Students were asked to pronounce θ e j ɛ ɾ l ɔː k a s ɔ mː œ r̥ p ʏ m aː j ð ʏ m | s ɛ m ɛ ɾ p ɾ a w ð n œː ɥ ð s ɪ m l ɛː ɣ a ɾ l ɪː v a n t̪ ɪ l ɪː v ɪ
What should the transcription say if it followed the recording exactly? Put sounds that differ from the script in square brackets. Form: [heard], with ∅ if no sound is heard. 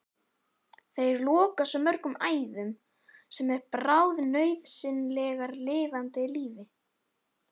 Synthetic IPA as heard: θ e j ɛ ɾ l ɔː k a s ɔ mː œ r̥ [k] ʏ m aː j ð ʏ m | s ɛ m ɛ ɾ p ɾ a w ð n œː ɥ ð s ɪ [n] l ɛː ɣ a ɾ l ɪː v a n t̪ ɪ l [iː] v ɪ

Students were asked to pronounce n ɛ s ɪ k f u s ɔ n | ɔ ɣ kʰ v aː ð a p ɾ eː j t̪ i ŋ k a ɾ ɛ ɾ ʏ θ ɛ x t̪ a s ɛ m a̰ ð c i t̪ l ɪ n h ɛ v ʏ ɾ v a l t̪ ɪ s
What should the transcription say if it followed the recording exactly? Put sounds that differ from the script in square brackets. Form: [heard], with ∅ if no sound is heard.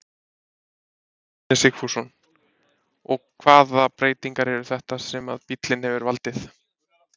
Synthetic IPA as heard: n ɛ s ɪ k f u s ɔ n | ɔ ɣ kʰ v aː ð a p ɾ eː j t̪ i ŋ k a ɾ ɛ ɾ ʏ θ ɛ [h] t̪ a s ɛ m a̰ ð [p] i t̪ l ɪ n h ɛ v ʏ ɾ v a l t̪ ɪ [θ]

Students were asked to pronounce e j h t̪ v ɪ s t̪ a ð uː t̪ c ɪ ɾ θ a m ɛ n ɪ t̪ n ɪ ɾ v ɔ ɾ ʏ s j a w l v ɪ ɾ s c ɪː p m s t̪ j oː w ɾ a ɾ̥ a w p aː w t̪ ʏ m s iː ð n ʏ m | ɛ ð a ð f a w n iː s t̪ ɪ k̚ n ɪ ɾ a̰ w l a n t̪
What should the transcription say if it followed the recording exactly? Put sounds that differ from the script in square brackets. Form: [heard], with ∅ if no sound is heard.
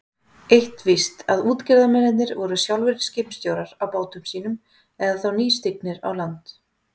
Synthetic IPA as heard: e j h t̪ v ɪ s t̪ a ð uː t̪ c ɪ ɾ [ð] a m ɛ n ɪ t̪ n ɪ ɾ v ɔ ɾ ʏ s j a w l v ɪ ɾ s c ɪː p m s t̪ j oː w ɾ a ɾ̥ a w p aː w t̪ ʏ m s iː [∅] n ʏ m | ɛ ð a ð [θ] a w n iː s t̪ ɪ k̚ n ɪ ɾ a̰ w l a n t̪

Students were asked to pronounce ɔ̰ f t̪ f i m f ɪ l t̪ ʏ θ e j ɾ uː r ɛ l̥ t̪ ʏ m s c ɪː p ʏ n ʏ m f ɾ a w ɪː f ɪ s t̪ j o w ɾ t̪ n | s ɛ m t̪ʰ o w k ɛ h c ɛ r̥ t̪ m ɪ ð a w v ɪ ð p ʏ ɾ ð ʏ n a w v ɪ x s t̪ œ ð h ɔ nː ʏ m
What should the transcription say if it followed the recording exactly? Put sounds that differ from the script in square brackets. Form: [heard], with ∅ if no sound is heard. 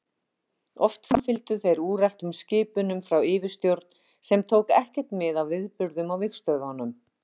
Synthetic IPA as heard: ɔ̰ f t̪ f [a] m f ɪ l t̪ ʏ θ e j ɾ uː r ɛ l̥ t̪ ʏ m s c ɪː p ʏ n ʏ m f ɾ a w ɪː [v] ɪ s t̪ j o w ɾ t̪ n | s ɛ m t̪ʰ o w k ɛ h c ɛ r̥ t̪ m ɪ ð a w v ɪ ð p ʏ ɾ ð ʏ [m] a w v ɪ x s t̪ œ ð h ɔ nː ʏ m

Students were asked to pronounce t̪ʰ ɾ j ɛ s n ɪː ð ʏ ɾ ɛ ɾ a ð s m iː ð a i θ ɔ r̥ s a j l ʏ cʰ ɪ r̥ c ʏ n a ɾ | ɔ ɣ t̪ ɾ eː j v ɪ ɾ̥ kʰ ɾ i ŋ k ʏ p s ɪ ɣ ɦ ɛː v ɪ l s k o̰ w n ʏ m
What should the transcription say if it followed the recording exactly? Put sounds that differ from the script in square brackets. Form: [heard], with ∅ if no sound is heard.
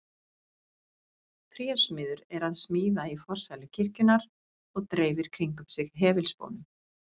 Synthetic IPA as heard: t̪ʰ ɾ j ɛ s [m] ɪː ð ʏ ɾ ɛ ɾ a ð s m iː ð a i [f] ɔ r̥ s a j l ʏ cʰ ɪ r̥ c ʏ n a ɾ | ɔ ɣ t̪ ɾ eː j v ɪ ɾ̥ kʰ ɾ i ŋ k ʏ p s ɪ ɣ ɦ ɛː v ɪ l s [p] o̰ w n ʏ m

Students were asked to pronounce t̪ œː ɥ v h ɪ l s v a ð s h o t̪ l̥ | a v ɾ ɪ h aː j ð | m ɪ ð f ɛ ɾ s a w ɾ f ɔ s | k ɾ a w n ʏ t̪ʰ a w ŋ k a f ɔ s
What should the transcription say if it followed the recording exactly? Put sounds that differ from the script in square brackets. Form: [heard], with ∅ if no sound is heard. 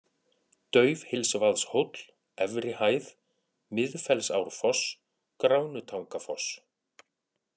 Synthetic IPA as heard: t̪ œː ɥ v h ɪ l s v a ð s h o t̪ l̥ | [ɛ] v ɾ ɪ h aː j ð | m ɪ ð f ɛ [l] s a w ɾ f ɔ s | k ɾ a w n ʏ t̪ʰ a w ŋ k a f ɔ s

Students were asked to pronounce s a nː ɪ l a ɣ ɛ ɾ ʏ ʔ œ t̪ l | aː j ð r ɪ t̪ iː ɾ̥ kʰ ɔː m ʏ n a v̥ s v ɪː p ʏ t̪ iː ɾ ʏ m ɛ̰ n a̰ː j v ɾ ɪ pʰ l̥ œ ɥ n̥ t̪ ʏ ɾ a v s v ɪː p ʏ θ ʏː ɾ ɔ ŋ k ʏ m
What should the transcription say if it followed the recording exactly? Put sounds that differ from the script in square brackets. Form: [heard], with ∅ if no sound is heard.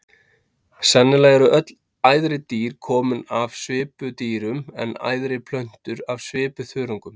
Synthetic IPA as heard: s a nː ɪ l a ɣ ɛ ɾ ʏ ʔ œ t̪ l | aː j ð [ɾ] ɪ t̪ iː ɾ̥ kʰ ɔː m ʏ n a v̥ s v ɪː p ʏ t̪ iː ɾ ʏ m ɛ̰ n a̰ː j [ð] ɾ ɪ pʰ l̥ œ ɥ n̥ t̪ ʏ ɾ a v s v ɪː p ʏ θ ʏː ɾ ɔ ŋ k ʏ m

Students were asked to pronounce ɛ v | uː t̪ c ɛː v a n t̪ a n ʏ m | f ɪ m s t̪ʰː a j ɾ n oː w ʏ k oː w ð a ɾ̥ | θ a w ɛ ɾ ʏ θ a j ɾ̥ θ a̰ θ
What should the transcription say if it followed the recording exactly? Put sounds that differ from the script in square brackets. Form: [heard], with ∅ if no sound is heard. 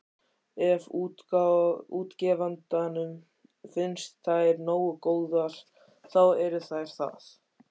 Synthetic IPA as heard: ɛ v | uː t̪ c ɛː v a n t̪ a n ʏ m | f ɪ [n] s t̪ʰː a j ɾ n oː w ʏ k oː w ð a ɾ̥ | θ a w ɛ ɾ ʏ θ a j ɾ̥ θ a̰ θ

